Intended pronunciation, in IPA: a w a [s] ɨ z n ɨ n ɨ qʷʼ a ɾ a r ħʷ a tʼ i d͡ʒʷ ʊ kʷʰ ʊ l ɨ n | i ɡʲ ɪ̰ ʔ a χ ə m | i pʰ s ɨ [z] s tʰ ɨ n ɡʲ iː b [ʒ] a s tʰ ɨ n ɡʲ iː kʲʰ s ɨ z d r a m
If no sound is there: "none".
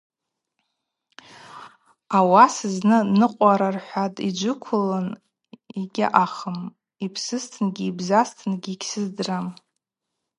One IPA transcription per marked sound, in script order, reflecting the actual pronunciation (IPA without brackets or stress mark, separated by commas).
s, none, z